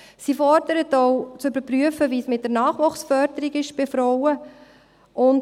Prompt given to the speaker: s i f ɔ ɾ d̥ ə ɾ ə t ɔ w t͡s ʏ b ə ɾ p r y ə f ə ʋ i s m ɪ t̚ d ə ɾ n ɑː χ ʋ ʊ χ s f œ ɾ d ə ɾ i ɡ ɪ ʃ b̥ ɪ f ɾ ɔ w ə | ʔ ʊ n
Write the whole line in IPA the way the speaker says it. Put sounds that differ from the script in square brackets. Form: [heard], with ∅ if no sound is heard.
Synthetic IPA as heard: s i f ɔ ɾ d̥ ə ɾ ə t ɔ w t͡s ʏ b ə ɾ p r y ə f ə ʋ i s m ɪ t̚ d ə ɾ n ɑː χ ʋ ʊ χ s f œ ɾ d ə ɾ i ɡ ɪ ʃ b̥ ɪ f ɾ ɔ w ə | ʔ ʊ n